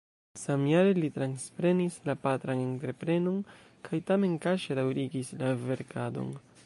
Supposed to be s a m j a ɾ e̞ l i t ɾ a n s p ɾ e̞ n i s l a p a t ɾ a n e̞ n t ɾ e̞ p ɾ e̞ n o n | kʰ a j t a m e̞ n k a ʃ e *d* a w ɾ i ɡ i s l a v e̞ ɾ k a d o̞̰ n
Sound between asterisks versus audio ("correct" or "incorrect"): correct